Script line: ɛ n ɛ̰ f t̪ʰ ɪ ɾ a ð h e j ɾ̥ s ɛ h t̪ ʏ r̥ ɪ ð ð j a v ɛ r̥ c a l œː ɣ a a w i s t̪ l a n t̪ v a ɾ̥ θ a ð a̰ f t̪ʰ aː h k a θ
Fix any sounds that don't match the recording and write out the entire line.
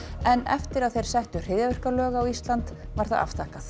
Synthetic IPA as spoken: ɛ n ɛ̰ f t̪ ɪ ɾ a ð θ e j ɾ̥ s ɛ h t̪ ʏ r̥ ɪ ð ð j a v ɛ r̥ k a l œː ɣ a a w i s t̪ l a n t̪ v a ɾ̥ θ a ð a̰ f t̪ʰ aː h k a θ